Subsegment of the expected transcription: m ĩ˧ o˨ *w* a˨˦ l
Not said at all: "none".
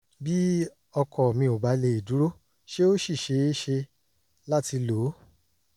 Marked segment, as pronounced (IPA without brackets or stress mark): b